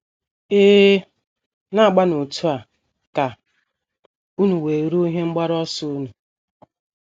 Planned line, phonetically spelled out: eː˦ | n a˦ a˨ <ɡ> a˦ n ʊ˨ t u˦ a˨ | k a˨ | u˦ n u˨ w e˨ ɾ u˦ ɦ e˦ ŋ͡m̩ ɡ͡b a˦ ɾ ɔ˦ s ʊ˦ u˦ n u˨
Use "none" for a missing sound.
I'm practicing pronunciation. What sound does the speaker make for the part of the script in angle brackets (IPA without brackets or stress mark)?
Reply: ɡ͡b